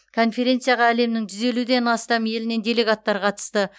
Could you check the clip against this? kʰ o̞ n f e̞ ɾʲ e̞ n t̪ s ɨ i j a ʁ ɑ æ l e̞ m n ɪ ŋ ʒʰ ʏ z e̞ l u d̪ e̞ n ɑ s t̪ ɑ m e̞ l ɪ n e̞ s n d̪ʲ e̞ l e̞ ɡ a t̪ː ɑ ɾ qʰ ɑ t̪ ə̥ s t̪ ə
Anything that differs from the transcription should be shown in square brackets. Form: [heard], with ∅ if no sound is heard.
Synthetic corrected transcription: kʰ o̞ n f e̞ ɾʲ e̞ n t̪ s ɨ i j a ʁ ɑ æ l e̞ m n ɪ ŋ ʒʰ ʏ z e̞ l u d̪ e̞ n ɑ s t̪ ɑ m e̞ l ɪ n e̞ [∅] n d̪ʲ e̞ l e̞ ɡ a t̪ː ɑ ɾ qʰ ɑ t̪ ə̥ s t̪ ə